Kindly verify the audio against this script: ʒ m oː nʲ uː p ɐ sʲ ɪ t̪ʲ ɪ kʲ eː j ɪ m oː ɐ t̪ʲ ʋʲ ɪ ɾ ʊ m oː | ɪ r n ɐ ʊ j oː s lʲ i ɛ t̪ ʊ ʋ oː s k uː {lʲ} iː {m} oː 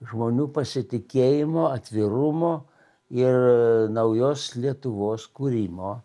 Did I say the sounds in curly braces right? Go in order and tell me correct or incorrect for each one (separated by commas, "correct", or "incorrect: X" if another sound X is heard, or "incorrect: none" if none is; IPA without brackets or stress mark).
incorrect: ɾʲ, correct